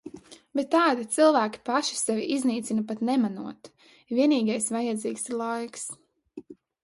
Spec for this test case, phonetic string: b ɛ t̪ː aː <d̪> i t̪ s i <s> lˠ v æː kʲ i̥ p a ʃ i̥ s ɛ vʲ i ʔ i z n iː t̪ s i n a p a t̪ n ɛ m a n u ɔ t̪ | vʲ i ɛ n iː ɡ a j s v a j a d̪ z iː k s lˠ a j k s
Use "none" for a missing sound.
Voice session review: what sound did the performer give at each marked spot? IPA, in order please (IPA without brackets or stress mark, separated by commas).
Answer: d̪, none